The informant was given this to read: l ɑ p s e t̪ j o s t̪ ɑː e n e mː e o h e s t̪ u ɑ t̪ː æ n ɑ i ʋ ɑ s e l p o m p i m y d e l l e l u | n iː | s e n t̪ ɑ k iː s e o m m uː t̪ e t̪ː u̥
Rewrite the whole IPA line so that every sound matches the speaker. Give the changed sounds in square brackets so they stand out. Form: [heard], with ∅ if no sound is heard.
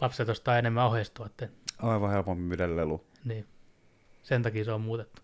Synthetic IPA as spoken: l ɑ p s e t̪ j o s t̪ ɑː e n e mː [æ] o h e s t̪ u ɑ t̪ː [e] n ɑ i ʋ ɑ [h] e l p o m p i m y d e l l e l u | n iː | s e n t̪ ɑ k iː s e o m m uː t̪ e t̪ː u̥